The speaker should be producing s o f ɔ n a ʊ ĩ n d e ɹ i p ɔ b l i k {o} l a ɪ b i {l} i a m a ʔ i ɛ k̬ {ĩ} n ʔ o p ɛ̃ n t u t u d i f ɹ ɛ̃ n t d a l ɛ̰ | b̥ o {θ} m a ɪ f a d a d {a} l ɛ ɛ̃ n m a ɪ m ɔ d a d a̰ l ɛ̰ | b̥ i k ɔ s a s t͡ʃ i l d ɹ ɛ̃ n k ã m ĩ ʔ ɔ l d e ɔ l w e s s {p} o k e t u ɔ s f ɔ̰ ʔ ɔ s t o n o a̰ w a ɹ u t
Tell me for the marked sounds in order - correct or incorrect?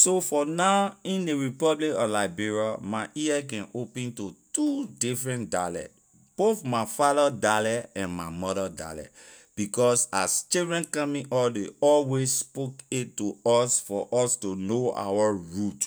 incorrect, incorrect, incorrect, correct, correct, correct

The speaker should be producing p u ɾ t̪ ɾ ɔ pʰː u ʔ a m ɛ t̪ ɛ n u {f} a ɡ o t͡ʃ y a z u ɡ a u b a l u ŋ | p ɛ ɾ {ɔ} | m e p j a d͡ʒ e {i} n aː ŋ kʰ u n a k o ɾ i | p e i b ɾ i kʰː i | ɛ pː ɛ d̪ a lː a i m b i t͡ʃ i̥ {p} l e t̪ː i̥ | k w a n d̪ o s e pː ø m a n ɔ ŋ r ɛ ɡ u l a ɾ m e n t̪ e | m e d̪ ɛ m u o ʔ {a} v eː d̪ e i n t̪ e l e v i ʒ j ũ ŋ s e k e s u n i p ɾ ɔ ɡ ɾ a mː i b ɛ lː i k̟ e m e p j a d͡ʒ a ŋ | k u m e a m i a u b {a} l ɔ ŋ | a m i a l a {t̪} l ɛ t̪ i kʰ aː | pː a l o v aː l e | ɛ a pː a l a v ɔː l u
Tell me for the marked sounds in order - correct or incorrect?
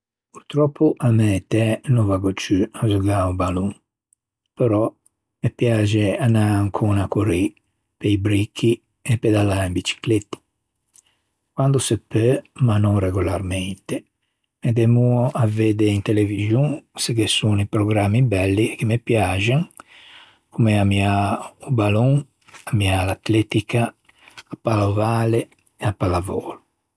incorrect, correct, incorrect, incorrect, correct, correct, correct

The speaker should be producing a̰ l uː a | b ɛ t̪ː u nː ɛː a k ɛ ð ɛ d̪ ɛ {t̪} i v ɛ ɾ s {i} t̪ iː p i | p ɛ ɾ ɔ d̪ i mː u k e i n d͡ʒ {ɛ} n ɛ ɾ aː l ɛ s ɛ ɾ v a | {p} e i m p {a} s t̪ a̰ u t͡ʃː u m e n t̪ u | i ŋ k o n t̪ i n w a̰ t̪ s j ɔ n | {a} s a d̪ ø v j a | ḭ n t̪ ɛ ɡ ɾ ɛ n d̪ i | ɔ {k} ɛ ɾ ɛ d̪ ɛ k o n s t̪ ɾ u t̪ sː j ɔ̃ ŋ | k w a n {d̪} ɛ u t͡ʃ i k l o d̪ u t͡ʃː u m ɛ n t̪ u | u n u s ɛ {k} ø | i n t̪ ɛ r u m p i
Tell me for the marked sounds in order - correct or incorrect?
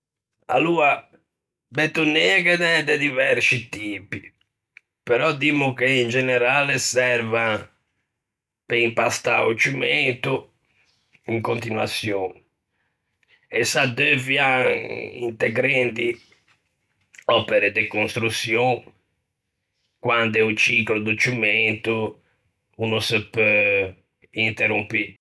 incorrect, correct, correct, correct, correct, incorrect, incorrect, correct, incorrect

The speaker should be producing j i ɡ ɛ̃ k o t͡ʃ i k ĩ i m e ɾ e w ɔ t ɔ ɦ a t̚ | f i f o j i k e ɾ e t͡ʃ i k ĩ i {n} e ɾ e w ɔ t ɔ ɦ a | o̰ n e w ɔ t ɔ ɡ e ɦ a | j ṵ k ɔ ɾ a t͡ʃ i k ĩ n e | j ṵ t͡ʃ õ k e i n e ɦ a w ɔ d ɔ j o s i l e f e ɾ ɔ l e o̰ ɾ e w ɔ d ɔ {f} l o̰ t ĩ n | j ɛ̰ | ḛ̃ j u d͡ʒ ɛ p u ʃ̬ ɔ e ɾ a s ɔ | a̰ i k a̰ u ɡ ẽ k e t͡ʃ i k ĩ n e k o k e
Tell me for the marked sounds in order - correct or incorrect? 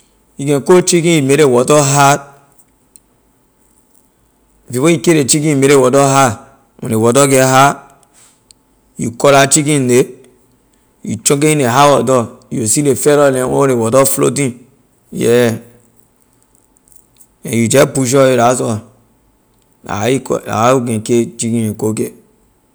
incorrect, correct

